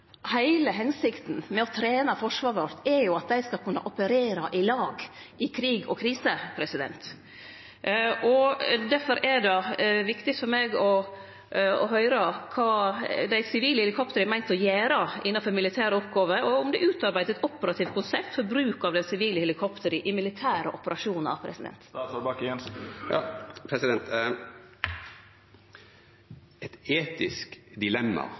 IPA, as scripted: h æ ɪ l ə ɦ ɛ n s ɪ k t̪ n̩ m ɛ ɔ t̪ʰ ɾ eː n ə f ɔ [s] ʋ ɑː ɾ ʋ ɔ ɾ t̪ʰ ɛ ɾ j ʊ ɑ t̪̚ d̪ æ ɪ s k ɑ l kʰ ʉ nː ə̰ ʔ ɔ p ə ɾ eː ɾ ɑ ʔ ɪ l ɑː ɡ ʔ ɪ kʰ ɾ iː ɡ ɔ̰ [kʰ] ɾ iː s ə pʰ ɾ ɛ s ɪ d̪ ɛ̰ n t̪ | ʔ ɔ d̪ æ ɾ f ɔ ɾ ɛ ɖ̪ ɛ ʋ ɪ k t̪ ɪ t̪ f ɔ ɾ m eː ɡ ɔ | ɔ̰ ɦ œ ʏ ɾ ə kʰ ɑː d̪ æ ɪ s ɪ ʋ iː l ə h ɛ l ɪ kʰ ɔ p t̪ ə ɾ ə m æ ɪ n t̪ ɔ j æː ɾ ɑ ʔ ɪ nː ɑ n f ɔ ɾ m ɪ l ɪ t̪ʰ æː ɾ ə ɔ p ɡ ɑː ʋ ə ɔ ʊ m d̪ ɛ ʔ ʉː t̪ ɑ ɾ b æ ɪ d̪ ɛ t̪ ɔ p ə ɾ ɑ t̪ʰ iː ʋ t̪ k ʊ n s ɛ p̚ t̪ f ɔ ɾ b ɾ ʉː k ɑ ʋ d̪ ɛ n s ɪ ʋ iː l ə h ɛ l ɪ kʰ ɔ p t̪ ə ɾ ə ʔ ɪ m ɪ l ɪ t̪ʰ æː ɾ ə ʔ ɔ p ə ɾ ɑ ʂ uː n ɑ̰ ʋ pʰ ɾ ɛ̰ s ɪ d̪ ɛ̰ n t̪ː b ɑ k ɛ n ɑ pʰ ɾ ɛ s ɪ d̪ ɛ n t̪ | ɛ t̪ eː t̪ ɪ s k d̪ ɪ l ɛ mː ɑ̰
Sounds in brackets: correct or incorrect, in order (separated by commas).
incorrect, correct